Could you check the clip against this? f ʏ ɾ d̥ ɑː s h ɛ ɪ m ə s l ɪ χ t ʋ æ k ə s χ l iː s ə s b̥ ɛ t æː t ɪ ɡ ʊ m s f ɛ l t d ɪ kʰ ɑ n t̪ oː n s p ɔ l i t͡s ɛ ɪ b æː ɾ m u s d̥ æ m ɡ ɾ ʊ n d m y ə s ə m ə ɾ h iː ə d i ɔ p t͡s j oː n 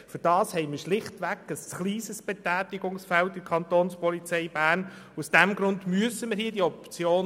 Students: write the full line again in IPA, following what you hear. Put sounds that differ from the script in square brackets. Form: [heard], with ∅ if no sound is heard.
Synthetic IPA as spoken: f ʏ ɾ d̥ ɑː s h ɛ ɪ m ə [ʃ] l ɪ χ t ʋ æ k ə s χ l iː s ə s b̥ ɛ t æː t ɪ ɡ ʊ [ŋ] s f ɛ l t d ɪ kʰ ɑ n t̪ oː n s p ɔ l i t͡s ɛ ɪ b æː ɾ [n] u s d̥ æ m ɡ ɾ ʊ n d m y ə s ə m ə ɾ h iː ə d i ɔ p t͡s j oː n